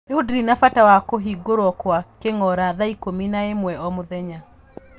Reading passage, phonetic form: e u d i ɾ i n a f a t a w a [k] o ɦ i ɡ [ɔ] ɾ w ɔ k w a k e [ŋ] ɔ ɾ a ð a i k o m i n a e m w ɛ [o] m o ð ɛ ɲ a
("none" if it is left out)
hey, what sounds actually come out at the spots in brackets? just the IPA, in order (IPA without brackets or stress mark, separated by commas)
k, o, ŋ, ɔ